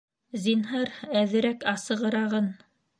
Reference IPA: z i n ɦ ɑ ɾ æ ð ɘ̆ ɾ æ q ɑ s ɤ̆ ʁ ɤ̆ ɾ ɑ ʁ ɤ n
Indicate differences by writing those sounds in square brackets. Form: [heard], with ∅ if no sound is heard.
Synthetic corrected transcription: z i n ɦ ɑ ɾ æ ð ɘ̆ ɾ æ [k] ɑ s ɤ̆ ʁ ɤ̆ ɾ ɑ ʁ ɤ n